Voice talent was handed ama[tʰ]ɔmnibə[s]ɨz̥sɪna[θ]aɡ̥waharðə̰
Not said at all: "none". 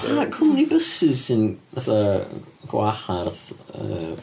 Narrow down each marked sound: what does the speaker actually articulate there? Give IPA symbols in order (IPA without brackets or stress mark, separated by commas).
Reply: kʰ, s, θ